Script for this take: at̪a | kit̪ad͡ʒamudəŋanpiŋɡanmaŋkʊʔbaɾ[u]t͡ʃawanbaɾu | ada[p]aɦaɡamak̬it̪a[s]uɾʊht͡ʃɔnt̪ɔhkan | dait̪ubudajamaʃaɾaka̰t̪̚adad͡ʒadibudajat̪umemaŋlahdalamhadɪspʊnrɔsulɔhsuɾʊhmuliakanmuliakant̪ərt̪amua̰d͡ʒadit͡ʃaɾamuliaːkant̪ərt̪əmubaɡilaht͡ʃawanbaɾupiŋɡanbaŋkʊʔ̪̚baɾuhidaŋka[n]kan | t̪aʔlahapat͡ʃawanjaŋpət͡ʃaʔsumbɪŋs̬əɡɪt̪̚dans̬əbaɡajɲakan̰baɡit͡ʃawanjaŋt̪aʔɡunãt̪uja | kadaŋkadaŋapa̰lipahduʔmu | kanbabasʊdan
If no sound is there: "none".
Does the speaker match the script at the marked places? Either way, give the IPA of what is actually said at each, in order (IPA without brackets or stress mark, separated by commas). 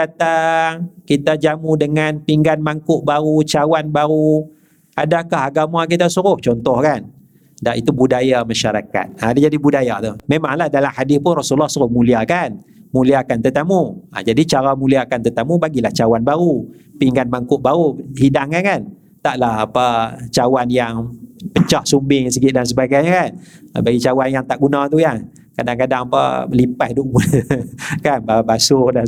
u, k, s, n